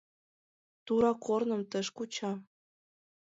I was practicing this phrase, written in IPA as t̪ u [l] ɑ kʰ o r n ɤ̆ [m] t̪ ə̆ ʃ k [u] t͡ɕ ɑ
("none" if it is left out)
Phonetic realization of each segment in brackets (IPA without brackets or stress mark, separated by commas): ɾ, m, u